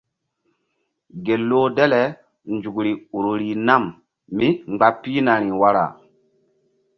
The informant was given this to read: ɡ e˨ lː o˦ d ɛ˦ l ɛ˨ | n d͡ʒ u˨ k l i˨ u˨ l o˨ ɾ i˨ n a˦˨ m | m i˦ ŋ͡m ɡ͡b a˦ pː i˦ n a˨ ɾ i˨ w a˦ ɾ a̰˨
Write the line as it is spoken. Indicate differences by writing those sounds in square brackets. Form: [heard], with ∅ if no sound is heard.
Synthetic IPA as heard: ɡ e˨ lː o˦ d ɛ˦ l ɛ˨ | n d͡ʒ u˨ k [ɾ] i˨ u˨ [ɾ] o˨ ɾ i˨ n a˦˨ m | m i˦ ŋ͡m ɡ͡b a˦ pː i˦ n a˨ ɾ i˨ w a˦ ɾ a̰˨